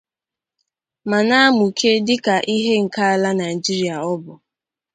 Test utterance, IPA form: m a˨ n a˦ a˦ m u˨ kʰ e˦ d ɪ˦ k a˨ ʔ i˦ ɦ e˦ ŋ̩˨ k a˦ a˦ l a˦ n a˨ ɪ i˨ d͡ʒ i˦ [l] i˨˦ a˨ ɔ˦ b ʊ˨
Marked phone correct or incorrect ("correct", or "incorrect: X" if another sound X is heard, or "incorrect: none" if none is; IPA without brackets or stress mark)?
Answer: incorrect: ɾ